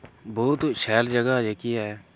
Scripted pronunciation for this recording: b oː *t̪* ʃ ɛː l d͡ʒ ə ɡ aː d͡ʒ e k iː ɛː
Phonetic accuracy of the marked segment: correct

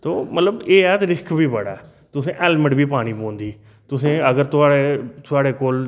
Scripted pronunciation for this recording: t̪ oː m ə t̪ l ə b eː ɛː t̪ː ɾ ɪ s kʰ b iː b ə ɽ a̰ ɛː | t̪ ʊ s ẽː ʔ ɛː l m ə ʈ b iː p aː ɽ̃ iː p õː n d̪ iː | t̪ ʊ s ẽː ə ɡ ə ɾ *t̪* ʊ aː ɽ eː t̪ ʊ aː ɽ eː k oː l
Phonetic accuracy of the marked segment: correct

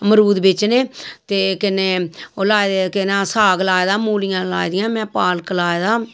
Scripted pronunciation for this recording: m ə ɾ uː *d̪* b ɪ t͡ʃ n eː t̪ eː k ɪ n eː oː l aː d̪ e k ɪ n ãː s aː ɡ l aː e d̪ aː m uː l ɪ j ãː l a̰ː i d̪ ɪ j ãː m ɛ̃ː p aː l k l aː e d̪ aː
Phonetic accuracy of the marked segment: correct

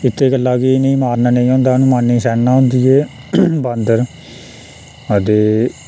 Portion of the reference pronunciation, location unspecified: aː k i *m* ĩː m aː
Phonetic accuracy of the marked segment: incorrect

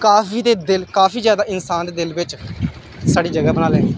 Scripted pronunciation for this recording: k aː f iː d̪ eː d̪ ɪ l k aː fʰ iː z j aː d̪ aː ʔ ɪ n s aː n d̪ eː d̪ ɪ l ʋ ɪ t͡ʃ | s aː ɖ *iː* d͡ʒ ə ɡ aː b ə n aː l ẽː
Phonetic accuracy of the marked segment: correct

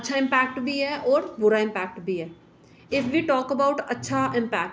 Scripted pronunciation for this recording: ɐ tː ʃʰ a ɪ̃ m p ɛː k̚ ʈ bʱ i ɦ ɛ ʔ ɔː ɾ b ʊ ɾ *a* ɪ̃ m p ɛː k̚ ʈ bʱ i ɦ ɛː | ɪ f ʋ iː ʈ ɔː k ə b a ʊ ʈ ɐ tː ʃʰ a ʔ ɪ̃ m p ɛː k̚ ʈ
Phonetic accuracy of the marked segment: correct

